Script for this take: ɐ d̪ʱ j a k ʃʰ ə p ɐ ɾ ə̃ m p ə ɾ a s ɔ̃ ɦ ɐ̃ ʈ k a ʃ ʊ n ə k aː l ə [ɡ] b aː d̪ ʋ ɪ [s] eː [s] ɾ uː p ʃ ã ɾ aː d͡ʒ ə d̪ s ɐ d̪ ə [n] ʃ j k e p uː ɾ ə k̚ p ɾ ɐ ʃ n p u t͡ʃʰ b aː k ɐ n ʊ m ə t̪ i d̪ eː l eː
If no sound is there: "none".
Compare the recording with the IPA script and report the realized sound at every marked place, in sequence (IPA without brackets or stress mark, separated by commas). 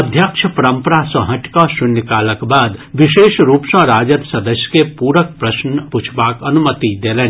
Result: k, ʃ, ʃ, none